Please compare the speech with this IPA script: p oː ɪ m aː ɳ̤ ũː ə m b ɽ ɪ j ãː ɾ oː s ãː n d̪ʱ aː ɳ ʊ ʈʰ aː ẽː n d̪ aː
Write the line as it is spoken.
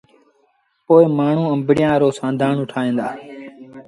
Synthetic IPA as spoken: p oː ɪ m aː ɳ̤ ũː ə m b ɽ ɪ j ãː ɾ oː s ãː n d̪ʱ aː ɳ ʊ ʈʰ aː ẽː n d̪ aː